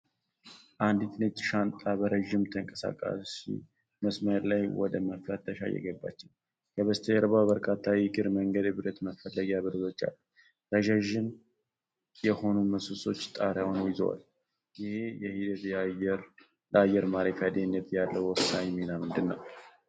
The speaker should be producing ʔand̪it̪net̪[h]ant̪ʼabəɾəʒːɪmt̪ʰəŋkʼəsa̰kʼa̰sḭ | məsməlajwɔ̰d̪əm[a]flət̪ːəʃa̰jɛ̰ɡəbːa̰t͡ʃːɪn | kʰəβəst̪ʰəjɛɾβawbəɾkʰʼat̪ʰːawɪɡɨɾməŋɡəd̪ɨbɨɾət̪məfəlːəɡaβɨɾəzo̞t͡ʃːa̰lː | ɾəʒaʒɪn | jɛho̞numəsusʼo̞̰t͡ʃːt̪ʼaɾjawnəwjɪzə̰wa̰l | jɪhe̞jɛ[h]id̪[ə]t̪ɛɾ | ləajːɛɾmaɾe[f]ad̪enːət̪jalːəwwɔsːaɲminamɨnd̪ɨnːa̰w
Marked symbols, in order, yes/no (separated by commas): no, no, yes, yes, yes